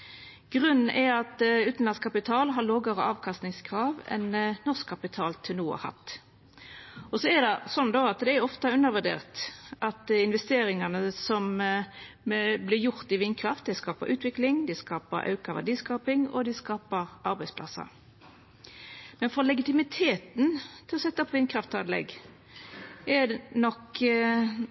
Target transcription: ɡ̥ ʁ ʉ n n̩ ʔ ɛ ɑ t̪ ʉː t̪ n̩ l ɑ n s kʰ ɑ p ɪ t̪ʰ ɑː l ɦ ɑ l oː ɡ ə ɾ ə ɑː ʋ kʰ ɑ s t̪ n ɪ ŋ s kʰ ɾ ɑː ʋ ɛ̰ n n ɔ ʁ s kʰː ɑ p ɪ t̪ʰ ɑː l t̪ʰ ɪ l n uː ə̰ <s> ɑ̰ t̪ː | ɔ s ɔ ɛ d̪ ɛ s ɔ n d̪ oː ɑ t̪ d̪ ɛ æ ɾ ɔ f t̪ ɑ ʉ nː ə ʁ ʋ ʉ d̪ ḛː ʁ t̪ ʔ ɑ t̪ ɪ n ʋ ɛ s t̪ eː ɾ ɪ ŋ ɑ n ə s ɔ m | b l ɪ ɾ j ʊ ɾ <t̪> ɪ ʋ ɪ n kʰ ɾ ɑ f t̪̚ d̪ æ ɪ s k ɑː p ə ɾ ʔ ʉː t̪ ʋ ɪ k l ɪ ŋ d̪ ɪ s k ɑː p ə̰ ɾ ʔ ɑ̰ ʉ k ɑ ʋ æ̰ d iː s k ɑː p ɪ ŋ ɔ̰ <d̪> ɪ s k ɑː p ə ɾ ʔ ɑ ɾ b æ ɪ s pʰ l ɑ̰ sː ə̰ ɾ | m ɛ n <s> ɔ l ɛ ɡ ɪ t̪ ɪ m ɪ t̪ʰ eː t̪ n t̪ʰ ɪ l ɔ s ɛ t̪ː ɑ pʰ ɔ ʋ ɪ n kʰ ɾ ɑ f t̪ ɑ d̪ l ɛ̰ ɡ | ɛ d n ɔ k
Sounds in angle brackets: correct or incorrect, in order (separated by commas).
incorrect, correct, correct, incorrect